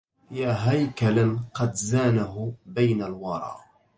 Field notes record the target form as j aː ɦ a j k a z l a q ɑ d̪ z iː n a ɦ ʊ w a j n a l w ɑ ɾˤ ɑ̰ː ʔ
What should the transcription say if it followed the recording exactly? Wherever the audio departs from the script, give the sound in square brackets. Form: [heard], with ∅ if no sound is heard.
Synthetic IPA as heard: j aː ɦ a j k a [∅] l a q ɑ d̪ z [aː] n a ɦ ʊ [b] a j n a l w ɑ ɾˤ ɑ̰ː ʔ